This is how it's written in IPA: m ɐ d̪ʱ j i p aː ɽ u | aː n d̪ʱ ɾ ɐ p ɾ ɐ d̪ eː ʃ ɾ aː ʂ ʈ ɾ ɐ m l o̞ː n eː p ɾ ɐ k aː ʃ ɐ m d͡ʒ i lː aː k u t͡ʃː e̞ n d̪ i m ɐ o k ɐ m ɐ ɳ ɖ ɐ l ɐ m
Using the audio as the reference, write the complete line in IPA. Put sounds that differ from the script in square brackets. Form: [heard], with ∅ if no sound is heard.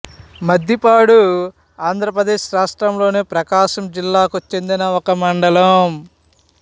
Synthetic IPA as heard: m ɐ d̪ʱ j i p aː ɽ u | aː n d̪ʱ ɾ ɐ p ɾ ɐ d̪ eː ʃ ɾ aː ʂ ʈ ɾ ɐ m l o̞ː n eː p ɾ ɐ k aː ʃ ɐ m d͡ʒ i lː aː k u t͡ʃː e̞ n d̪ i [n] ɐ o k ɐ m ɐ ɳ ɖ ɐ l ɐ m